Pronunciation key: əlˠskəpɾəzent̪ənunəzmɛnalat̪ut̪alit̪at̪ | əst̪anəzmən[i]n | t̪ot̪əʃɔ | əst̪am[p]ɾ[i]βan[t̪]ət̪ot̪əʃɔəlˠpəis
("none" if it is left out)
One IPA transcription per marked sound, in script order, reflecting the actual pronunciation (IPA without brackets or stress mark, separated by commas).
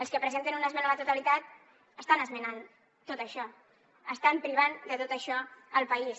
a, p, i, d̪